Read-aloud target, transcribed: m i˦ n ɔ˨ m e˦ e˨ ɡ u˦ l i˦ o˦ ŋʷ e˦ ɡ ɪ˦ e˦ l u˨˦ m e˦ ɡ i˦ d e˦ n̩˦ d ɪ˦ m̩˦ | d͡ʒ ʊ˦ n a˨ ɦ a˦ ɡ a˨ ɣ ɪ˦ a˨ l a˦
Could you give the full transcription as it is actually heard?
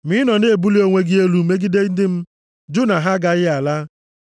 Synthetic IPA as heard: m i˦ n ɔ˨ n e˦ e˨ b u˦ l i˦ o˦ ŋʷ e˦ ɡ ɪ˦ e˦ l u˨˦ m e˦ ɡ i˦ d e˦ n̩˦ d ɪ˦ m̩˦ | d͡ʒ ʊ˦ n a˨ ɦ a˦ ɡ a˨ ɣ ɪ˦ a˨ l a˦